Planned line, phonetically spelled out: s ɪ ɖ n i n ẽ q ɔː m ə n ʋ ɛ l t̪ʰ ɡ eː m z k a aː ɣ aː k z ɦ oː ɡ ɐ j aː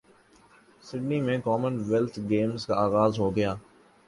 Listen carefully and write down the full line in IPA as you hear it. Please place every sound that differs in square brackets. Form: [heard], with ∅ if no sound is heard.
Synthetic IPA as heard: s ɪ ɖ n i [m] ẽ [k] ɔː m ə n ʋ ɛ l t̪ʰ ɡ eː m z k a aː ɣ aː [∅] z ɦ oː ɡ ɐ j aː